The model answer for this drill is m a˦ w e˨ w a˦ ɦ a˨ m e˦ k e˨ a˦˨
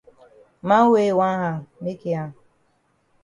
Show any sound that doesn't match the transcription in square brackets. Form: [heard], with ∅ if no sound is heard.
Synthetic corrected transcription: m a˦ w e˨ w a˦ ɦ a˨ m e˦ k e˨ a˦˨

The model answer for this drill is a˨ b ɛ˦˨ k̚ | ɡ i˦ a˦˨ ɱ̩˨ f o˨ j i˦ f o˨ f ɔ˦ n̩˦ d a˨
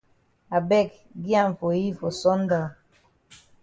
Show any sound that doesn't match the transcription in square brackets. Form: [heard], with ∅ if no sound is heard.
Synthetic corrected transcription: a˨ b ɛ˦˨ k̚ | ɡ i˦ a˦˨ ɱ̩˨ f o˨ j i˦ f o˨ [s] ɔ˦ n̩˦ d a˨

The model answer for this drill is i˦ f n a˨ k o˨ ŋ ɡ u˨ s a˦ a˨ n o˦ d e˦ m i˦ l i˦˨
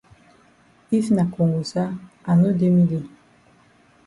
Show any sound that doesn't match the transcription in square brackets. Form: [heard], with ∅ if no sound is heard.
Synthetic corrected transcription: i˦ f n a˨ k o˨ ŋ ɡ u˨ s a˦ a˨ n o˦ d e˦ m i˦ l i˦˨

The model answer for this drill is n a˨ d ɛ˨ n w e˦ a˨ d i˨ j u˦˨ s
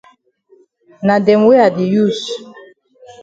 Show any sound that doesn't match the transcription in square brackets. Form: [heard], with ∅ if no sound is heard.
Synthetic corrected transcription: n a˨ d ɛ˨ [m] w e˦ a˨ d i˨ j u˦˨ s

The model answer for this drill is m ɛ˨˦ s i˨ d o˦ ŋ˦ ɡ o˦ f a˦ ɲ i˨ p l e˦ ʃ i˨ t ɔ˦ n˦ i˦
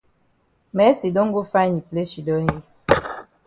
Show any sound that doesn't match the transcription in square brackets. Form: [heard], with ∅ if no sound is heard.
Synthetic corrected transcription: m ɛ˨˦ s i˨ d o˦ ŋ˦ ɡ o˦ f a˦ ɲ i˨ p l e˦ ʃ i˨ [d] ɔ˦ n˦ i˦

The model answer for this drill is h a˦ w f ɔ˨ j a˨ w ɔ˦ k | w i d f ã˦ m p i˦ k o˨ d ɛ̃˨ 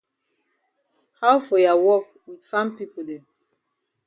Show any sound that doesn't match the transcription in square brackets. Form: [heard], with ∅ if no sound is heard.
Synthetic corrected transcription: h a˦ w f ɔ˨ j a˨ w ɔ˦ k | w i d f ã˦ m p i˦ [p] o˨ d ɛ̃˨

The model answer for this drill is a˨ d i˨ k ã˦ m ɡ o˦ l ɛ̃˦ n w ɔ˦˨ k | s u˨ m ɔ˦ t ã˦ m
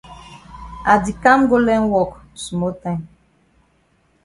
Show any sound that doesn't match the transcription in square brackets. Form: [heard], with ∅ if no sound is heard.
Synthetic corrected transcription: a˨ d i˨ k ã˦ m ɡ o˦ l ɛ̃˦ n w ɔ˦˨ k | s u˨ m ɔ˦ t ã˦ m

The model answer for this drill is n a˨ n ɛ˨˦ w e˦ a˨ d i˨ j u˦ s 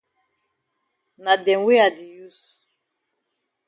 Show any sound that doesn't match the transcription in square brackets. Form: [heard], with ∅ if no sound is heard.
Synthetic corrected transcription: n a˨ [d] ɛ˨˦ w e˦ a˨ d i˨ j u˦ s

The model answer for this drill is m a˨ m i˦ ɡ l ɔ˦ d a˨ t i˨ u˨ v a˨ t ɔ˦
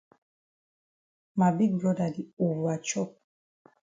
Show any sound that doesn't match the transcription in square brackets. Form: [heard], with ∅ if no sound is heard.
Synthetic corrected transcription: m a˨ [b] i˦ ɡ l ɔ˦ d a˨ [d] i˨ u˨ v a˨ [t͡ʃ] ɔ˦

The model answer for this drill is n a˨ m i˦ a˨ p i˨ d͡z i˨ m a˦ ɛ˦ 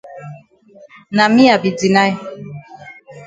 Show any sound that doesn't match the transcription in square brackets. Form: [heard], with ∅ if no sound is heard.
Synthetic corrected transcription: n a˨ m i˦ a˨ [b] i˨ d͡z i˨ [n] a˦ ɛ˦

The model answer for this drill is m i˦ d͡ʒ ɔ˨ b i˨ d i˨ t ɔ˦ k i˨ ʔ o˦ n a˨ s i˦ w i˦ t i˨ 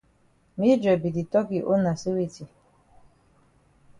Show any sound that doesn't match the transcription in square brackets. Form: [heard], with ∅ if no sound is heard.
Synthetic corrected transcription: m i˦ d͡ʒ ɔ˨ b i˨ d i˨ t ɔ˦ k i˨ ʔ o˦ n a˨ s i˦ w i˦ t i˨

